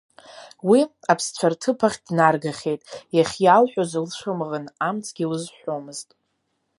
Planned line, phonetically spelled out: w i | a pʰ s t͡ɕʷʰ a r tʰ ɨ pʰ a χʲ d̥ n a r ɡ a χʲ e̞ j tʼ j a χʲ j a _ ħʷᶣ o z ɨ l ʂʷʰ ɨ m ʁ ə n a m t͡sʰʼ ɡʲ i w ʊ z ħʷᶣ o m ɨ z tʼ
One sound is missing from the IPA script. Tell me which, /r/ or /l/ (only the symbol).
l